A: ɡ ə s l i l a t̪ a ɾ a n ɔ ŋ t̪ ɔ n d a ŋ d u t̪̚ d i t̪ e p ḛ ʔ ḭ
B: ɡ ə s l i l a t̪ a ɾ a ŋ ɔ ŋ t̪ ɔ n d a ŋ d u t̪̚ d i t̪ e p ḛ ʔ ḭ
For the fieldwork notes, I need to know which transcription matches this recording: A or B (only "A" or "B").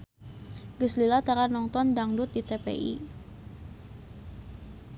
A